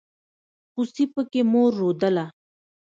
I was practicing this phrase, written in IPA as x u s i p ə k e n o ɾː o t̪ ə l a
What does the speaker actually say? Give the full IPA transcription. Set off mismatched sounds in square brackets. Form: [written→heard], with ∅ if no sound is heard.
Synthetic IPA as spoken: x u s i p ə k e [n→m] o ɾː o [t̪→d̪] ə l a